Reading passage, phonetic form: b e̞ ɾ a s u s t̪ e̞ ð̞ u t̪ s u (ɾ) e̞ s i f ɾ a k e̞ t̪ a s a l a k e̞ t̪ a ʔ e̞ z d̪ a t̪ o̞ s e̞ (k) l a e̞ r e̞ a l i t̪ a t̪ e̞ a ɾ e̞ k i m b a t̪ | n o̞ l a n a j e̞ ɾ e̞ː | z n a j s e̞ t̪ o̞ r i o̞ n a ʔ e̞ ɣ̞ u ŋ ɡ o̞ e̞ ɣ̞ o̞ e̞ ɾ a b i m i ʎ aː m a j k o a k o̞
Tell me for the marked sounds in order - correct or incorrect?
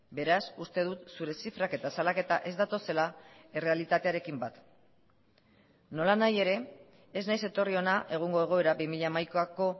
correct, incorrect

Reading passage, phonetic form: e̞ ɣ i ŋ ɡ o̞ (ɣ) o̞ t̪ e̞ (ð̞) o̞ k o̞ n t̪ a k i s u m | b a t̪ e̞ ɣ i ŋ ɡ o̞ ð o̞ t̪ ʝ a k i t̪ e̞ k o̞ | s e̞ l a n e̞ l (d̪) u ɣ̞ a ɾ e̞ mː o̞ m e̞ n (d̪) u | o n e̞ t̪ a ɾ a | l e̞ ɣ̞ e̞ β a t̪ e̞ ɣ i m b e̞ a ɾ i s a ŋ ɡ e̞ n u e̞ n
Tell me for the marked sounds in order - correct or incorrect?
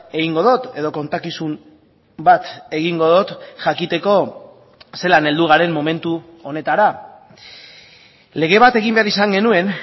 incorrect, correct, correct, incorrect

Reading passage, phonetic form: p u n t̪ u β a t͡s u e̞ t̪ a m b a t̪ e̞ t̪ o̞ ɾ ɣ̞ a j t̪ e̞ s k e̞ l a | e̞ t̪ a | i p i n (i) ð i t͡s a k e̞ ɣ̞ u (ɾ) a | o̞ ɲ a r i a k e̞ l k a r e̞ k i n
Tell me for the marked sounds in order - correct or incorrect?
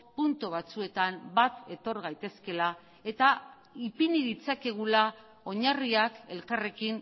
correct, incorrect

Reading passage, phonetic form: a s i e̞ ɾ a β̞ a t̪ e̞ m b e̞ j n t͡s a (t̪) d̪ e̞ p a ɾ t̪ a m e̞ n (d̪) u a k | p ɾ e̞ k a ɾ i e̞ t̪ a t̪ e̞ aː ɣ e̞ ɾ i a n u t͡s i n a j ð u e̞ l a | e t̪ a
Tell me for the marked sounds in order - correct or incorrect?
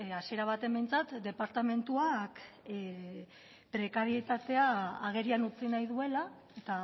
correct, incorrect

